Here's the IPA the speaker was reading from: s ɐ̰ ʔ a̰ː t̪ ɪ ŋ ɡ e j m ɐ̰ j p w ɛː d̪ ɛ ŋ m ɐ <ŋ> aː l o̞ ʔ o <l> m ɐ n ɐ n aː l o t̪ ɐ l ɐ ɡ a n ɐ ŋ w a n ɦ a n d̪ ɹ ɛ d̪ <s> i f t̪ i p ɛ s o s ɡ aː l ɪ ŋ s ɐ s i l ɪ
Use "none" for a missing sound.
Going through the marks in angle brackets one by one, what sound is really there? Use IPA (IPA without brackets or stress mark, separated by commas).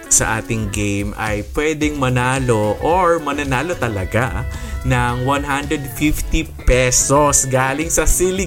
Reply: n, ɹ, f